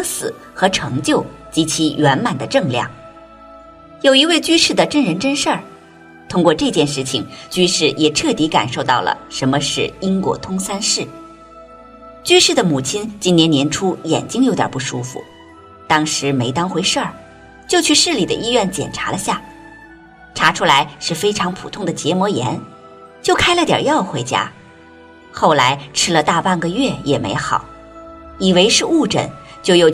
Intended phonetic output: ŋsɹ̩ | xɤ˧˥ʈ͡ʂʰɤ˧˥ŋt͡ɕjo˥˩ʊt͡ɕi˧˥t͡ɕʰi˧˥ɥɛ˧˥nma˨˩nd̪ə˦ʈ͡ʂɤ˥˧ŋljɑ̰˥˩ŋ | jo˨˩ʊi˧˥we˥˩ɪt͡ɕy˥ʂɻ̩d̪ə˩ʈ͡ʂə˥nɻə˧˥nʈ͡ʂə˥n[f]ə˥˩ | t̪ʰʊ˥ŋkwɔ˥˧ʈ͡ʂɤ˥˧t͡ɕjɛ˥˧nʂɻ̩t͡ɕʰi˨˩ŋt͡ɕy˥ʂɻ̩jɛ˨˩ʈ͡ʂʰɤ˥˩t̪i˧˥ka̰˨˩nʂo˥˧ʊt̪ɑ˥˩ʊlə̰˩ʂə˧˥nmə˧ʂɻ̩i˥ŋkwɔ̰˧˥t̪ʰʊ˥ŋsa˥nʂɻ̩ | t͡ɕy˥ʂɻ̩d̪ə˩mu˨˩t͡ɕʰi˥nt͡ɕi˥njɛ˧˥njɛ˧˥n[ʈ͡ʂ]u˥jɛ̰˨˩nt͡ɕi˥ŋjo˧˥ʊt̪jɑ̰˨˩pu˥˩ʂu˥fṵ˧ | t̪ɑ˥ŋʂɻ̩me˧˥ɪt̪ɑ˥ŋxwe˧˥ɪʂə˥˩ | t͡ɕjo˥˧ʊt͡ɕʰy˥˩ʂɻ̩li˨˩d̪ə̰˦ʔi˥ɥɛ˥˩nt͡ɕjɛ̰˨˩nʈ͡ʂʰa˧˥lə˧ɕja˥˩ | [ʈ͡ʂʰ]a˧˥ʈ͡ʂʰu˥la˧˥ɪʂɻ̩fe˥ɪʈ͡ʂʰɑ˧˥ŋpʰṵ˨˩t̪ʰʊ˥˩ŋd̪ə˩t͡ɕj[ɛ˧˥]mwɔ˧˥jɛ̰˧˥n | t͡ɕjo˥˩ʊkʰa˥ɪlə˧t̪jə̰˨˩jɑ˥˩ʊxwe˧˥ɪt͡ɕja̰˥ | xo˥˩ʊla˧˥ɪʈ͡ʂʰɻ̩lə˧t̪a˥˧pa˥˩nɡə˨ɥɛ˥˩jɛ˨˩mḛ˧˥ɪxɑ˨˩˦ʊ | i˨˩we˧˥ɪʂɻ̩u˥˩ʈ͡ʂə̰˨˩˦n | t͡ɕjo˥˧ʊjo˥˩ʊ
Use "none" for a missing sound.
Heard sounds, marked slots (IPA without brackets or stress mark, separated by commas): ʂ, ʈ͡ʂʰ, ʈ͡ʂʰ, ɛ˧˥